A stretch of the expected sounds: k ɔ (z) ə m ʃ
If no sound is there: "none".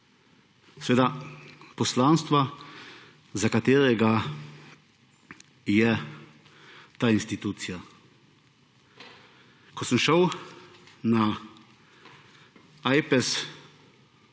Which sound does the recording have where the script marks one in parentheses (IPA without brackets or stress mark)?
s